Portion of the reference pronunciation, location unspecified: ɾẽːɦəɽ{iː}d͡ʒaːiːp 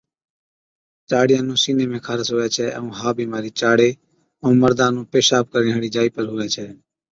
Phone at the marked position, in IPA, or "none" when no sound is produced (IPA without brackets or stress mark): iː